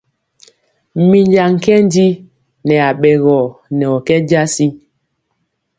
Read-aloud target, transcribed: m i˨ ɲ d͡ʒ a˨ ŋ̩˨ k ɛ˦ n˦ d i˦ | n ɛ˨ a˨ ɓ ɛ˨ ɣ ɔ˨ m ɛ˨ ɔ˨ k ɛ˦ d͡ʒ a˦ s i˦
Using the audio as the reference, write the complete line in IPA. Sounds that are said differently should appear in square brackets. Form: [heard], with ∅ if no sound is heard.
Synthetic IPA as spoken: m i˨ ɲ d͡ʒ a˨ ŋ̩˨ k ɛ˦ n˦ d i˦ | n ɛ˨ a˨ ɓ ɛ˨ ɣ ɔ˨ [n] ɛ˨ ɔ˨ k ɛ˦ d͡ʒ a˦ s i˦